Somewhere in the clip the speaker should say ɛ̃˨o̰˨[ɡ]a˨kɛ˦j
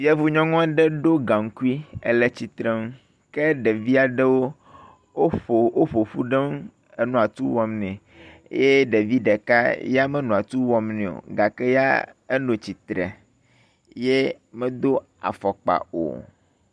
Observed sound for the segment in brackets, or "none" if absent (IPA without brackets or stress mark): ɡ